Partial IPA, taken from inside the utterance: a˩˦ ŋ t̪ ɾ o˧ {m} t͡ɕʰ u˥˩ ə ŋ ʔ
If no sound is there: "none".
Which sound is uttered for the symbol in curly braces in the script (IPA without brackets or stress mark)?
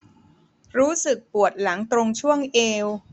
ŋ